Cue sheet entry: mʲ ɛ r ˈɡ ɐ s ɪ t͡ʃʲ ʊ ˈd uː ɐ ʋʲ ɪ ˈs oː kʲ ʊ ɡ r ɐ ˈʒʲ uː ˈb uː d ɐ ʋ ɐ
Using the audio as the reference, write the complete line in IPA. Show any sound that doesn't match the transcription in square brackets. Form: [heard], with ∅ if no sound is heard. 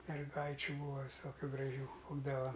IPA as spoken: mʲ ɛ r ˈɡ ɐ [∅] ɪ t͡ʃʲ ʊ [ˈb] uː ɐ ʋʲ ɪ ˈs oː kʲ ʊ ɡ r ɐ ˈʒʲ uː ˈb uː d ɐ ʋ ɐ